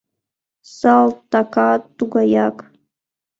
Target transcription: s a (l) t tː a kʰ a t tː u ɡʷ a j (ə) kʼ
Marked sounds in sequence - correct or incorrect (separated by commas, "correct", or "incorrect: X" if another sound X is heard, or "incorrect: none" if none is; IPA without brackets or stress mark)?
correct, incorrect: a